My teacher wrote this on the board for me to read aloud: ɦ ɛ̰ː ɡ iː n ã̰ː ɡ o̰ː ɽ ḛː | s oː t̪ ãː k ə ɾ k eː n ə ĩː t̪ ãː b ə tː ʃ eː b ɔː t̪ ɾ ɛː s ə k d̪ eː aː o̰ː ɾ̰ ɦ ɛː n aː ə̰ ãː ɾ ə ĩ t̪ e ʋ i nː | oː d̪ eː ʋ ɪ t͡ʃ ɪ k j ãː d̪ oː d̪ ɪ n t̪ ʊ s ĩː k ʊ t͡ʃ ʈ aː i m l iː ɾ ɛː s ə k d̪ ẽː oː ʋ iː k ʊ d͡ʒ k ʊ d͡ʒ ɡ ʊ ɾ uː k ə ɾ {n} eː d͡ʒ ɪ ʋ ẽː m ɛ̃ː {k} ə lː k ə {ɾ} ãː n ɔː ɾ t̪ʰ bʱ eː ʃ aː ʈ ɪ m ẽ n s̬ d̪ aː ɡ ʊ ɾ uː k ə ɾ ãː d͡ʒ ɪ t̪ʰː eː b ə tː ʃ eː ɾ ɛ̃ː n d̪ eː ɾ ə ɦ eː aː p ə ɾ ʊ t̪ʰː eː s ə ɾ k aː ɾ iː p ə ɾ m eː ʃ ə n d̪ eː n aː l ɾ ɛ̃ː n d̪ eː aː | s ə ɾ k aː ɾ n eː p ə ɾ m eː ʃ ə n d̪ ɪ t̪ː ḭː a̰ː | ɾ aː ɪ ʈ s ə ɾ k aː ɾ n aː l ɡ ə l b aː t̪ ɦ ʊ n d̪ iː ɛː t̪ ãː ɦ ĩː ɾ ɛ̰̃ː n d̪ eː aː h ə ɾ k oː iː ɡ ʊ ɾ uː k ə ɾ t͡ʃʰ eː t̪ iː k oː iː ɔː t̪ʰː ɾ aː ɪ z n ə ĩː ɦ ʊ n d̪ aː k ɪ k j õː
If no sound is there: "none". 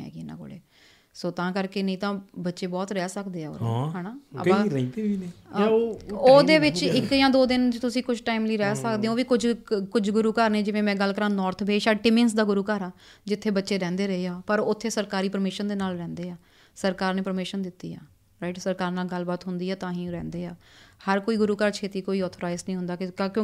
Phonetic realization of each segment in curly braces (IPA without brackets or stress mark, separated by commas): n, ɡ, ɾ